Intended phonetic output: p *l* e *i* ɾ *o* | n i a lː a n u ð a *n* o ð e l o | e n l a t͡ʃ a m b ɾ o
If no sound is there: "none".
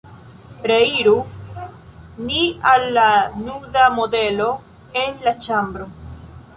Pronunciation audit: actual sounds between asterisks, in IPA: ɾ, i, u, m

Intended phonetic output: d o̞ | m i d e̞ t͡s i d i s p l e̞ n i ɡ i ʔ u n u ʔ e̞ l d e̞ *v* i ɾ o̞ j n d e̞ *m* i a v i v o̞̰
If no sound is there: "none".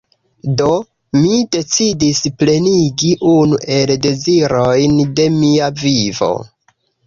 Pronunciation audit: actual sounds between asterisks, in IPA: z, m

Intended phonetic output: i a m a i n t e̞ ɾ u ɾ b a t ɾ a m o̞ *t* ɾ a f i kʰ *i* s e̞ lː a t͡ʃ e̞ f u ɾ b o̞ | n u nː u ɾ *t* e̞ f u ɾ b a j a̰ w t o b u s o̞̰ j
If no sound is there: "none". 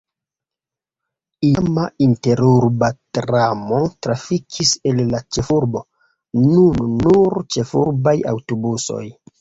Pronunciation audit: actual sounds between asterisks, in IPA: t, i, t͡ʃ

